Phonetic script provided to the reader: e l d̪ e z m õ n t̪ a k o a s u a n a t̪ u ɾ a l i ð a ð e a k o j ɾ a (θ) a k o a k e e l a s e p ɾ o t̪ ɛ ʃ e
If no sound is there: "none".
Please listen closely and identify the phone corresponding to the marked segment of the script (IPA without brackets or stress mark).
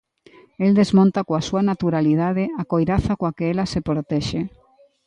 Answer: θ